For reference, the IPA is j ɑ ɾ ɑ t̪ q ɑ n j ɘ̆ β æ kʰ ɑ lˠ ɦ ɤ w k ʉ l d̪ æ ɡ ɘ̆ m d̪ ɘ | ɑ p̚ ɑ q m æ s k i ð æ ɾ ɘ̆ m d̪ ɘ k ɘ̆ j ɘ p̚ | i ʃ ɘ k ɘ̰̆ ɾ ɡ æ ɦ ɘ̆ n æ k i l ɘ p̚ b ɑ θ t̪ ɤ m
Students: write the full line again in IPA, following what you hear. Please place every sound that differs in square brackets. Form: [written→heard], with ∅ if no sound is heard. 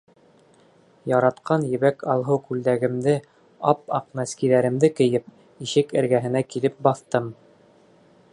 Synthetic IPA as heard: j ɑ ɾ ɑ t̪ q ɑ n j ɘ̆ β æ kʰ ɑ lˠ ɦ ɤ w k ʉ l d̪ æ ɡ ɘ̆ m d̪ ɘ | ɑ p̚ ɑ q m æ s k i ð æ ɾ ɘ̆ m d̪ ɘ k ɘ̆ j ɘ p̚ | i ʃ ɘ k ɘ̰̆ ɾ ɡ æ ɦ ɘ̆ n æ k i l ɘ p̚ b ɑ θ t̪ ɤ m